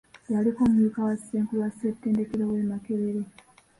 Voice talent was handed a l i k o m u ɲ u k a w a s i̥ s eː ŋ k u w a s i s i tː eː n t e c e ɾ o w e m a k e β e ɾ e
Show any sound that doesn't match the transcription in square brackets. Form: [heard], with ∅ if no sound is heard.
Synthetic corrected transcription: a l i k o m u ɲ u k a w a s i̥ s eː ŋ k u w a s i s [e] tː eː n [d] e [k] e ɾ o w e m a k e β e ɾ e